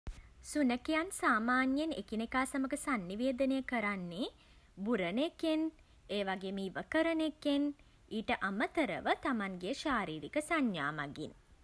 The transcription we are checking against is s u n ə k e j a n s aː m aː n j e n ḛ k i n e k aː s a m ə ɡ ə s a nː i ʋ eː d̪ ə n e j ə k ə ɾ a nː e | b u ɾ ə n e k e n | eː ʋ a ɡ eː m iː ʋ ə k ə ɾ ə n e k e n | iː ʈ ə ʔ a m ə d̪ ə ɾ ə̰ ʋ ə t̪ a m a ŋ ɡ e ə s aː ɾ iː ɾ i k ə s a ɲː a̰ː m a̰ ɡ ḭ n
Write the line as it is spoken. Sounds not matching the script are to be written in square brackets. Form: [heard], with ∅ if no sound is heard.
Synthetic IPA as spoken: s u n ə k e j a n s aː m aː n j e n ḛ k i n e k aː s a m ə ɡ ə s a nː i ʋ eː d̪ ə n e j ə k ə ɾ a nː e | b u ɾ ə n e k e n | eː ʋ a ɡ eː m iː ʋ ə k ə ɾ ə n e k e n | iː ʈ ə ʔ a m ə [t̪] ə ɾ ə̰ ʋ ə t̪ a m a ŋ ɡ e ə [ʃ] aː ɾ iː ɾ i k ə s a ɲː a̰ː m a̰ ɡ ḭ n